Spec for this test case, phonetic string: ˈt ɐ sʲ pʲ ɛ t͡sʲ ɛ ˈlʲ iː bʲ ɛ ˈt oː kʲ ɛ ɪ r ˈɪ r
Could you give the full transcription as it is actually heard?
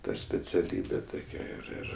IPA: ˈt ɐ sʲ pʲ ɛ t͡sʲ ɛ ˈlʲ iː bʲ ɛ ˈt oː kʲ ɛ ɪ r ˈɪ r